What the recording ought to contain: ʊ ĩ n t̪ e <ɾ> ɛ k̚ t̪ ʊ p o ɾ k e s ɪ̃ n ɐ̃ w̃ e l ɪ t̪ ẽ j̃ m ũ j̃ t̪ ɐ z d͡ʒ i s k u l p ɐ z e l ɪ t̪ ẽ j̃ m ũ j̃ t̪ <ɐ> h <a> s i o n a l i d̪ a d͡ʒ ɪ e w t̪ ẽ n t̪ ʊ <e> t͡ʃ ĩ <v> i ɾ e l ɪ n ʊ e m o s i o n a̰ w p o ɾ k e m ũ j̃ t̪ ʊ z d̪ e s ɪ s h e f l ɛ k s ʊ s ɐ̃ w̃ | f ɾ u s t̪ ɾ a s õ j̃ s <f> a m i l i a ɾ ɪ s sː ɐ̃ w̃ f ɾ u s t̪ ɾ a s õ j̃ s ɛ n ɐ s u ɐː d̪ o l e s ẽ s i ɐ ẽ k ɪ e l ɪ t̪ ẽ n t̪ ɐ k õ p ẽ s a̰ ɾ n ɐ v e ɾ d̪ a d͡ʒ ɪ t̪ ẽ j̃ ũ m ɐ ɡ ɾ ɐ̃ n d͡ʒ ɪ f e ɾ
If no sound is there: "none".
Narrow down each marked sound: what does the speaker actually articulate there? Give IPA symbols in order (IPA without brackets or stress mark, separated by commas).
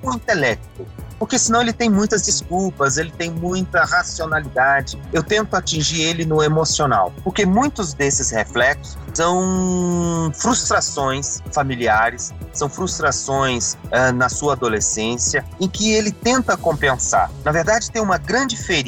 l, ɐ, a, a, ʒ, f